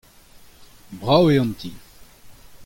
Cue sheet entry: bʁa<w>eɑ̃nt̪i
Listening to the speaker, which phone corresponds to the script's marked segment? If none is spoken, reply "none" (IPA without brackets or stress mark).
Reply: w